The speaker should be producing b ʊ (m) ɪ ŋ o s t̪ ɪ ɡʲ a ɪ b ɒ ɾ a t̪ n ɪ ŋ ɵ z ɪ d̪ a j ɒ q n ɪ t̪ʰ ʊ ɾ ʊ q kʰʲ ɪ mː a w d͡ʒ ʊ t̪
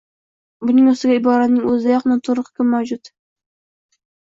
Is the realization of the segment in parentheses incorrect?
yes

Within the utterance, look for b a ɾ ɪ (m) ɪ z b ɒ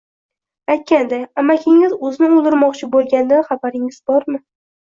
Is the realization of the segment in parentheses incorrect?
yes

